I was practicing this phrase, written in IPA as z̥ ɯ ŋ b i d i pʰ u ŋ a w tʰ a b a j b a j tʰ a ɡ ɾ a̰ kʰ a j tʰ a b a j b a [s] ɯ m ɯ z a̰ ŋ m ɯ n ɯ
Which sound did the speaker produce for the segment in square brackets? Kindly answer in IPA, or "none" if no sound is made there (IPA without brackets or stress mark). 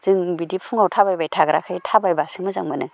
s